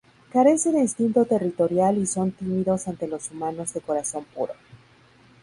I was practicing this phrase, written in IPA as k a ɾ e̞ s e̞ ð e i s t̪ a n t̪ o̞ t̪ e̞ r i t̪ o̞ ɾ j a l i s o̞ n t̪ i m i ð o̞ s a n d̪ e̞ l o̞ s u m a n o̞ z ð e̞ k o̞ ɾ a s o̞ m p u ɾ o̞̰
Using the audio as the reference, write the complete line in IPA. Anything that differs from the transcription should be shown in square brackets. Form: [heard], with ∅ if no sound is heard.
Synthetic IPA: k a ɾ e̞ s e̞ ð e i s t̪ [i] n t̪ o̞ t̪ e̞ r i t̪ o̞ ɾ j a l i s o̞ n t̪ i m i ð o̞ s a n [t̪] e̞ l o̞ s u m a n o̞ z ð e̞ k o̞ ɾ a s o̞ m p u ɾ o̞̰